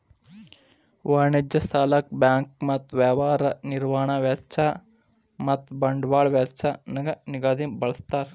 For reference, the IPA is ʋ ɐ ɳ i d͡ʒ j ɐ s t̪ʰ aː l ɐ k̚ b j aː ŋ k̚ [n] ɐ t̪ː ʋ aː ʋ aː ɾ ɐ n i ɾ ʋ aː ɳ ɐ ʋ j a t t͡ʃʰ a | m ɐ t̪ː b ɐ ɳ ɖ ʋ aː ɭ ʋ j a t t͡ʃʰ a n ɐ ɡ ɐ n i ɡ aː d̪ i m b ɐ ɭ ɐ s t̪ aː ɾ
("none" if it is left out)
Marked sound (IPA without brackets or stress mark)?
m